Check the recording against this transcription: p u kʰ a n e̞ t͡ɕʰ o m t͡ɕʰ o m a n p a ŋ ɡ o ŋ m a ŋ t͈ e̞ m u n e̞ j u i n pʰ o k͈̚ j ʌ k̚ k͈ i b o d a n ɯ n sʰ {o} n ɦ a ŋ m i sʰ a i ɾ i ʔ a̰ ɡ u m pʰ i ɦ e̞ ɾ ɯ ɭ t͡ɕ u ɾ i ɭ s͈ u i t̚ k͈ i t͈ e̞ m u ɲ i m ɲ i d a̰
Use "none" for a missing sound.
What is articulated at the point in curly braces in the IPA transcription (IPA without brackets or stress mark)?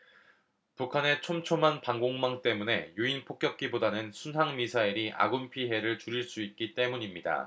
u